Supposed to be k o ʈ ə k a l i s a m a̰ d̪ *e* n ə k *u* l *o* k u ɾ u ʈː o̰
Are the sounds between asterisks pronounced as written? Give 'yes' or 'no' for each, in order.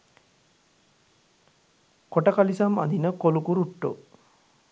no, no, no

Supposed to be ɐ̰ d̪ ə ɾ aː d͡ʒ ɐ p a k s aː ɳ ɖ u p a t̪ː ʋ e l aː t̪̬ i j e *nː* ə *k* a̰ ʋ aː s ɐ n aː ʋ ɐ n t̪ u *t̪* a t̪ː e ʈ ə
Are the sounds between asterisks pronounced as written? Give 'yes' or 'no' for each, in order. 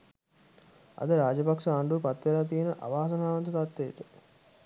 no, no, yes

